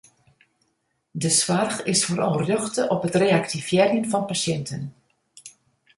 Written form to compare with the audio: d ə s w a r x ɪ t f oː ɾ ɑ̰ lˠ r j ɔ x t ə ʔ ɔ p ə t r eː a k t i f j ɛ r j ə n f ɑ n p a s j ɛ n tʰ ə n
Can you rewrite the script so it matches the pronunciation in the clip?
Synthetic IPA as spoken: d ə s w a r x ɪ s f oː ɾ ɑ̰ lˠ r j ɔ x t ə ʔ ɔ p ə t r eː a k t i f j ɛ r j ə n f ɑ n p a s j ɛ n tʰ ə n